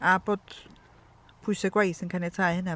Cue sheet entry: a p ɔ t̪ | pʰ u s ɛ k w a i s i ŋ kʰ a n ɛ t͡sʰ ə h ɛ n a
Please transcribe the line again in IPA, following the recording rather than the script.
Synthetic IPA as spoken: a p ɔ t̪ | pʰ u s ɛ k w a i s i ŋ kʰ a n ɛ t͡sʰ a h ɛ n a